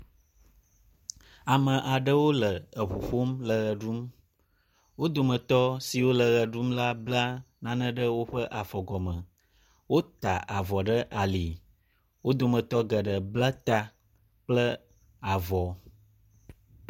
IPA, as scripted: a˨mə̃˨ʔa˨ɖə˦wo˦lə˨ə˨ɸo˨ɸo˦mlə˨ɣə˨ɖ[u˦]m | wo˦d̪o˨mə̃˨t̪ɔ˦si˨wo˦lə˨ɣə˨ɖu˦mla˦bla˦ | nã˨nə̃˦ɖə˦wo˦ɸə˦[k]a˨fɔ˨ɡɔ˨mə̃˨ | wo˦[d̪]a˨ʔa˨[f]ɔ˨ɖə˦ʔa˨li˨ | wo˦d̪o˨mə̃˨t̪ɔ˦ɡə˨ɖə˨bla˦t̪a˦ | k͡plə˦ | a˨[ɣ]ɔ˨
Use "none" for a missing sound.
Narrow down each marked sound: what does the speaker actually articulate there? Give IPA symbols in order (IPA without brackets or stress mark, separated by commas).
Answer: u˦, ʔ, t̪, v, v